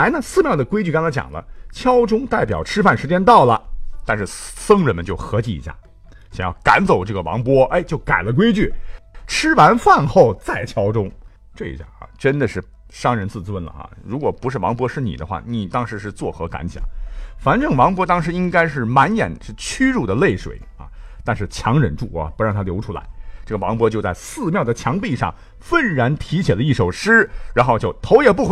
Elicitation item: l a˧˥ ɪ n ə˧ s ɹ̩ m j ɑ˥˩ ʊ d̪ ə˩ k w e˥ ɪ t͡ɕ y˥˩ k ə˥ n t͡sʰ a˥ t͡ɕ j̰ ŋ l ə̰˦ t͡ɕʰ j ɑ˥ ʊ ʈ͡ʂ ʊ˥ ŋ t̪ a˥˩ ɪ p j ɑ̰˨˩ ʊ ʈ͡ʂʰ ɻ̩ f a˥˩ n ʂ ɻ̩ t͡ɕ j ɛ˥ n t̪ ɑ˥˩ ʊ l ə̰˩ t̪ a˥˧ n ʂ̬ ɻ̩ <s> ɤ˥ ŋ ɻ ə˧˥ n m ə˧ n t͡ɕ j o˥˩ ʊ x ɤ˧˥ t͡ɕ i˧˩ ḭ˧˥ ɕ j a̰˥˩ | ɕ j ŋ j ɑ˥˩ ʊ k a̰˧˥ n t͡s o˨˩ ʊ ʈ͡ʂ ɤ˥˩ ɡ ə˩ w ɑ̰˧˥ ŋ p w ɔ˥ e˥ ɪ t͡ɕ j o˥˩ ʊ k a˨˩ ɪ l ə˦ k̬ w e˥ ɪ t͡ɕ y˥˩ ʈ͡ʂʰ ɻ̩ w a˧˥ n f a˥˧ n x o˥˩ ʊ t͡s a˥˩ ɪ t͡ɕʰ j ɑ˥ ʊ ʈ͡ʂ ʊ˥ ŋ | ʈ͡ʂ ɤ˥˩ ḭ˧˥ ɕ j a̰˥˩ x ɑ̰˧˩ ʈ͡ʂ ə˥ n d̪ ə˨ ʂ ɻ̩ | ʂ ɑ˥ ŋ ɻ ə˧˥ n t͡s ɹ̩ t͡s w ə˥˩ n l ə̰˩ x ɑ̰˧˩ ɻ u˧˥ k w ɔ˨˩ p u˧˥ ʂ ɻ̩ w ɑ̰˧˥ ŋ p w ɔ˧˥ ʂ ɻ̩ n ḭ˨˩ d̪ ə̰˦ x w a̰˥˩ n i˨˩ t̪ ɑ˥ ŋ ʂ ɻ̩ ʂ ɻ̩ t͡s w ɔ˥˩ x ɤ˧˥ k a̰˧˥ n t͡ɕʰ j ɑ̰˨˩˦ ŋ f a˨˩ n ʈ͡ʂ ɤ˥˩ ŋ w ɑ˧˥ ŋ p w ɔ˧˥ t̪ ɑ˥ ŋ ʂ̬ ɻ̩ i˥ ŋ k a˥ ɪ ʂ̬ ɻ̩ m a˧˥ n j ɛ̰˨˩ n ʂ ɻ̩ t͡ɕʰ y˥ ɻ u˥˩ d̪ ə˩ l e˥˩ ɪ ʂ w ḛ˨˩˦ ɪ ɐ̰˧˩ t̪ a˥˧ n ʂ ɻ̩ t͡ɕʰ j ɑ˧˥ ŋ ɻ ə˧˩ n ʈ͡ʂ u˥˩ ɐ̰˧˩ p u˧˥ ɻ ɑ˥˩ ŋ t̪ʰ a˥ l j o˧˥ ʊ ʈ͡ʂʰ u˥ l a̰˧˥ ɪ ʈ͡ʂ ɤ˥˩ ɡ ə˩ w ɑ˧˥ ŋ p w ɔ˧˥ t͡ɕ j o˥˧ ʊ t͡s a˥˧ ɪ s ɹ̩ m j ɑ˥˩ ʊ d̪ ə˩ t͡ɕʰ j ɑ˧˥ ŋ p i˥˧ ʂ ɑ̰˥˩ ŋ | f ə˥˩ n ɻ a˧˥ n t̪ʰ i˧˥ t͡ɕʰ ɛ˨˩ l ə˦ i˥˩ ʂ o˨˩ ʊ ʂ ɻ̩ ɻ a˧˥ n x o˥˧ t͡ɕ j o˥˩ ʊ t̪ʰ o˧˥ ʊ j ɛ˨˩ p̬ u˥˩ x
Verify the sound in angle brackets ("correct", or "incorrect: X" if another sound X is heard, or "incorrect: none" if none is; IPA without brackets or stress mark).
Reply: correct